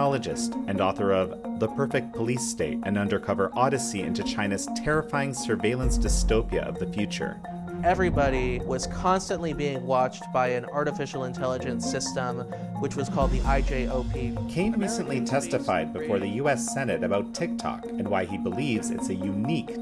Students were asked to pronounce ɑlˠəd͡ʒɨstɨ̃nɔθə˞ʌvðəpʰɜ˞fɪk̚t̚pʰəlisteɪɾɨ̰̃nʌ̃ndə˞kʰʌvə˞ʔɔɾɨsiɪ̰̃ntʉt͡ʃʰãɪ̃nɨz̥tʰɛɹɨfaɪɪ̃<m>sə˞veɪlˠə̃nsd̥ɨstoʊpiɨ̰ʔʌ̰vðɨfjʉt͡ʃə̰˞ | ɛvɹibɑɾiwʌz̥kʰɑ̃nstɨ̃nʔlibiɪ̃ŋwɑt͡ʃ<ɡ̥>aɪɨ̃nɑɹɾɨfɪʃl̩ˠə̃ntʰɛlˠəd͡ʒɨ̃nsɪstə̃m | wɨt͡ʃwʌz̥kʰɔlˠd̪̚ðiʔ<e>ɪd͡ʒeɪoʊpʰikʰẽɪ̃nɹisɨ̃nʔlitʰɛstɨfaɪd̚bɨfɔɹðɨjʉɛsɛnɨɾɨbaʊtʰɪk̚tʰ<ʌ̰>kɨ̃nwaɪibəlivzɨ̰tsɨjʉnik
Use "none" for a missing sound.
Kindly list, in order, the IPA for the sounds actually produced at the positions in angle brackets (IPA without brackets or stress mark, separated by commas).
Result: ŋ, b̥, a, ɑ̰